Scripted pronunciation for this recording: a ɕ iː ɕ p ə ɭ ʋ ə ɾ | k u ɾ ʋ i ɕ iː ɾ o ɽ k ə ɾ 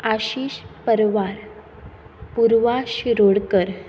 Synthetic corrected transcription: a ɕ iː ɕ p ə ɾ ʋ a ɾ | p u ɾ ʋ a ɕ i ɾ o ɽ k ə ɾ